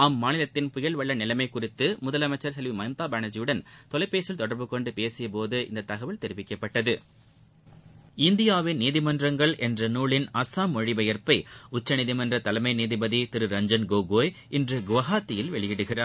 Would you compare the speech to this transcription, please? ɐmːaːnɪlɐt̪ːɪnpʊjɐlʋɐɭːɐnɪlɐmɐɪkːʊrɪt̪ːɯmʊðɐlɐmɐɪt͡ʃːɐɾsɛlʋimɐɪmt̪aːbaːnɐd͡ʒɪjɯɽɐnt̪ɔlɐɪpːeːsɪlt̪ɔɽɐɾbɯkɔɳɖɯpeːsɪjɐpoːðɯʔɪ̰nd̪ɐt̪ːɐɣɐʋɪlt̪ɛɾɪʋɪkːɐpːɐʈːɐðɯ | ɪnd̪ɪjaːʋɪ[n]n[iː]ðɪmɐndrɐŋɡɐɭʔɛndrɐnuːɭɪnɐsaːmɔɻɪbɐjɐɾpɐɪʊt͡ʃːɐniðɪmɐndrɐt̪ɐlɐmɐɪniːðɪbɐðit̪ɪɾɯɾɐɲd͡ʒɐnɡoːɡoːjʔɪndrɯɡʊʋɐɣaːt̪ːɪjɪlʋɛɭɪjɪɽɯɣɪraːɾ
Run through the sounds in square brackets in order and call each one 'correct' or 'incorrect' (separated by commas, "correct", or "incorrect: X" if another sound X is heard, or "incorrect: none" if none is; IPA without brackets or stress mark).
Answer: correct, correct